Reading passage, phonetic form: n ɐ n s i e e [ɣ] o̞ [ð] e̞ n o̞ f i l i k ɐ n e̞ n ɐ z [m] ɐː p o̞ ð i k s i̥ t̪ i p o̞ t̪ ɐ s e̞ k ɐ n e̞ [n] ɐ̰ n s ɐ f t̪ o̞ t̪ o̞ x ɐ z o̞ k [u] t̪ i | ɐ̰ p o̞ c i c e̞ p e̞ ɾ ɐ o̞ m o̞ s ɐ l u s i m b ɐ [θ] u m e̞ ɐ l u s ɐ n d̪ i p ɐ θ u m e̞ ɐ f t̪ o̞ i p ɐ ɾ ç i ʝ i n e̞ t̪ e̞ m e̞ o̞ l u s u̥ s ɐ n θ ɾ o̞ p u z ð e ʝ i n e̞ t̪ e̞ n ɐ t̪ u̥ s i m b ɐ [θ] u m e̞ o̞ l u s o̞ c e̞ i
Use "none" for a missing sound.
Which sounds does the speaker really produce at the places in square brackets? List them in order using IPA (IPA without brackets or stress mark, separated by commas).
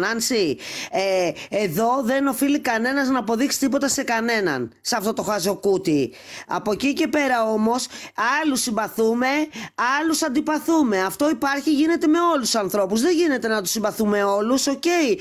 ð, ð, n, n, u, θ, θ